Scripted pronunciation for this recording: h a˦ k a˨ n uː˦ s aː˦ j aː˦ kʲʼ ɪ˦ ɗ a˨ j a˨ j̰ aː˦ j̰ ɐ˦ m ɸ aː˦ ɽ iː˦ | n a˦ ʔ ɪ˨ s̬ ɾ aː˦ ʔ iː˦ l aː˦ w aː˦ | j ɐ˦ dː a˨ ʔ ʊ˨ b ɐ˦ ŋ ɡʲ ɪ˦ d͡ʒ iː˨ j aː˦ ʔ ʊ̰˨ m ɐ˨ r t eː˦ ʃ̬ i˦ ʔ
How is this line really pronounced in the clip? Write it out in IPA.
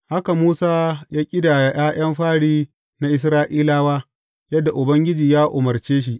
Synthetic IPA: h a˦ k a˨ m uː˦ s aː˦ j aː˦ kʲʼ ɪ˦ d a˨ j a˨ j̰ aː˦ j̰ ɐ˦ m ɸ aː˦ ɽ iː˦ | n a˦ ʔ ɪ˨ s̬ ɾ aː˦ ʔ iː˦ l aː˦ w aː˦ | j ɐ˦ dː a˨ ʔ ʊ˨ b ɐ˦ ŋ ɡʲ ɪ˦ d͡ʒ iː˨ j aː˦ ʔ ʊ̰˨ m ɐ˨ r t͡ʃ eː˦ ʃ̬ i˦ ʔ